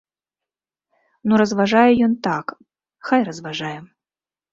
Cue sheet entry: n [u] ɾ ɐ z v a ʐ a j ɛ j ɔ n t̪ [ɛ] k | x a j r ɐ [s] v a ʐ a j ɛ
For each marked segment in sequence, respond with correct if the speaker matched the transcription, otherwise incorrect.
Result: correct, incorrect, incorrect

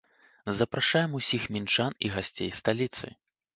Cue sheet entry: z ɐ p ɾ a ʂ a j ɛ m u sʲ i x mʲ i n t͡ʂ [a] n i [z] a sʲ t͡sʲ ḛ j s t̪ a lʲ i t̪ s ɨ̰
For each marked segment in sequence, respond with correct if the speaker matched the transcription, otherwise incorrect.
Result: correct, incorrect

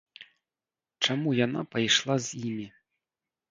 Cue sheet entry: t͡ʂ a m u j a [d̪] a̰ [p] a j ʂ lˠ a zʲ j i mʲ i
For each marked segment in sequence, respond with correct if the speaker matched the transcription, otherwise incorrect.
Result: incorrect, correct

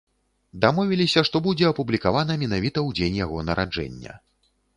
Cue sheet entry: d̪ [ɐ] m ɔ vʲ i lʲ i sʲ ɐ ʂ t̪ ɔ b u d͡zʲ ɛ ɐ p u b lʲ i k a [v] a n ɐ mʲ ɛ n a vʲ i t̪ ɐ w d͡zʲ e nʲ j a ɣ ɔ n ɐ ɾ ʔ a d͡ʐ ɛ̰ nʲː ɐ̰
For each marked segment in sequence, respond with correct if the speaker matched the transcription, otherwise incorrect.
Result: incorrect, correct

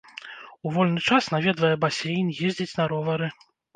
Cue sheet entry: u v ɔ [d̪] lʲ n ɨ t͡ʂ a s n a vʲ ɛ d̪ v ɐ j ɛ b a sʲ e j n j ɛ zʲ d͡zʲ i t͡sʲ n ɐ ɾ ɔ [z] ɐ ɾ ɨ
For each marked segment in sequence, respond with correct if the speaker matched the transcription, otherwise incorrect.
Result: incorrect, incorrect

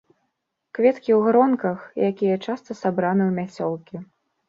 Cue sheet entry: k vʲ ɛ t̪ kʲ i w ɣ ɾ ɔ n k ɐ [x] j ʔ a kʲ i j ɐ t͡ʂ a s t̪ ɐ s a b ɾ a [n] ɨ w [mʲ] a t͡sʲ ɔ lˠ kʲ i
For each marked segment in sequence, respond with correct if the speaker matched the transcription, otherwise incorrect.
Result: correct, correct, correct

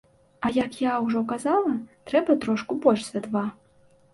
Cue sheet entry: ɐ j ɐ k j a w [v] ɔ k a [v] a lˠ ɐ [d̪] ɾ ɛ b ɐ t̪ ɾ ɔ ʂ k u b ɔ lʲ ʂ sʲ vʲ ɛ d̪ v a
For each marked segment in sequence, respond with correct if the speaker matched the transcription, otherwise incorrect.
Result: incorrect, incorrect, incorrect

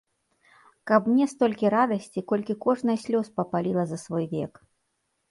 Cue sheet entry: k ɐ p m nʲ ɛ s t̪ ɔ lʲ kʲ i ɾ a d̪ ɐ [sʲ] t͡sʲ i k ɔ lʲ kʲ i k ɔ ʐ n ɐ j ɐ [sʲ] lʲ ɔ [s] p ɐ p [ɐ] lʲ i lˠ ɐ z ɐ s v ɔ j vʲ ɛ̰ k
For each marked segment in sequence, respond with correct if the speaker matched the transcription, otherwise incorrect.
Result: correct, correct, correct, incorrect

